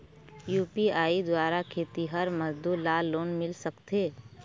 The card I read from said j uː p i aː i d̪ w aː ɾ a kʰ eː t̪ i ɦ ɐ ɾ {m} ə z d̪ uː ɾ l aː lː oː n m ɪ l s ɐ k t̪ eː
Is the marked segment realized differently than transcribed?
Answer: no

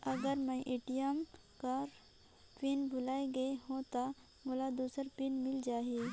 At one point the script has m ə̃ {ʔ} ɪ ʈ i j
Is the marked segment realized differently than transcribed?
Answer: no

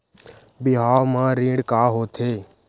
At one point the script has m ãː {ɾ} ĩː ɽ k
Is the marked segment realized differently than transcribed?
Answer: no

